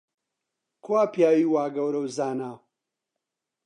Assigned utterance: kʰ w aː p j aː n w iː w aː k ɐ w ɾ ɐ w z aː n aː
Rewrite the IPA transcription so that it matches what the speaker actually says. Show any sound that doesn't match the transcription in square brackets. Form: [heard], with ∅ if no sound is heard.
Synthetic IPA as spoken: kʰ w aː p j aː [∅] w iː w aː [ɡ] ɐ w ɾ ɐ w z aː n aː